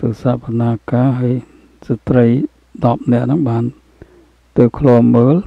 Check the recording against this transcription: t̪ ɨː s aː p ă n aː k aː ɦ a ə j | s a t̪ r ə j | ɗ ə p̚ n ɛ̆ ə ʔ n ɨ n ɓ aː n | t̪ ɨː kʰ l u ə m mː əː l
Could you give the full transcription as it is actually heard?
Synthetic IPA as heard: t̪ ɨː s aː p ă n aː k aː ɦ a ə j | s a t̪ r ə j | ɗ ɑ p̚ n ɛ̆ ə ʔ n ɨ ŋ ɓ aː n | t̪ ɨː kʰ l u ə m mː əː l